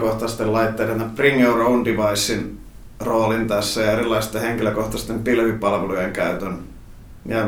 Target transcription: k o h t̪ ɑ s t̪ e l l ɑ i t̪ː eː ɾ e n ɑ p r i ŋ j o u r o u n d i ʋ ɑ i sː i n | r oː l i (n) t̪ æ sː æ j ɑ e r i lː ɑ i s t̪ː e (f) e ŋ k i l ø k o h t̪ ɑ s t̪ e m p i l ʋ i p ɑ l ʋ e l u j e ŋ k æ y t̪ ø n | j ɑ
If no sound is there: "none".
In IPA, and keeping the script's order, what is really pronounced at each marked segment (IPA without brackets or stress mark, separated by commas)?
n, h